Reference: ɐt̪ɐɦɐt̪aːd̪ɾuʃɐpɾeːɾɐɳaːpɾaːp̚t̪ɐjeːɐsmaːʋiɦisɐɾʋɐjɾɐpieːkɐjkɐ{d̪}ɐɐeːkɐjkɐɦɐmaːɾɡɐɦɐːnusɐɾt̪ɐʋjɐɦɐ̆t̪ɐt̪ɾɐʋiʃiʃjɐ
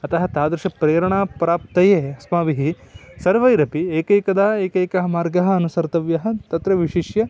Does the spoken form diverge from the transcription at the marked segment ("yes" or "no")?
no